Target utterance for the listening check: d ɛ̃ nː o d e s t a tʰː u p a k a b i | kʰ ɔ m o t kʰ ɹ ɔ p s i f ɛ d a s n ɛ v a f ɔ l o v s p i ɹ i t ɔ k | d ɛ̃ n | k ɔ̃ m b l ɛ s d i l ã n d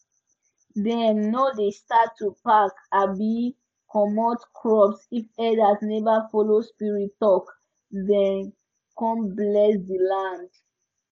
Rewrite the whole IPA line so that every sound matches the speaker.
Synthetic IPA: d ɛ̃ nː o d e s t a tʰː u p a k a b i | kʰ ɔ m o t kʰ ɹ ɔ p s i f ɛ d a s n ɛ v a f ɔ l o s p i ɹ i t ɔ k | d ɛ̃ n | k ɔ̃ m b l ɛ s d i l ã n d